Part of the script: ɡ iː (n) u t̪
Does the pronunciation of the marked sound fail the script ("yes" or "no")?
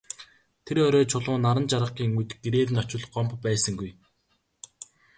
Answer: yes